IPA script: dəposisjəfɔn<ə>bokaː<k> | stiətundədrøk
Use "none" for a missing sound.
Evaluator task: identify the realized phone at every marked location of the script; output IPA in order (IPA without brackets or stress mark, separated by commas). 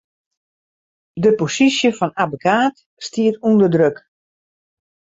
a, t